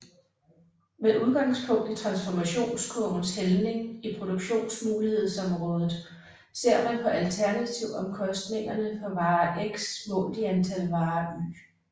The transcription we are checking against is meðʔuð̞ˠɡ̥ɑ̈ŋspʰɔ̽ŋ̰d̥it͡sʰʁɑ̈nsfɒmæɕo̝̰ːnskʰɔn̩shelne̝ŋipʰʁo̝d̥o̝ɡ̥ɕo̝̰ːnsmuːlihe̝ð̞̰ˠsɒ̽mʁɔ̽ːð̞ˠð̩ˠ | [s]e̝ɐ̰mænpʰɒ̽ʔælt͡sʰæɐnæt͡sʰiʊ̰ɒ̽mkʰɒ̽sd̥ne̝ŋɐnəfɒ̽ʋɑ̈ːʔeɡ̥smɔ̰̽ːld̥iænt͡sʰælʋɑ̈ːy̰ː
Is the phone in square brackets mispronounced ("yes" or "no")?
no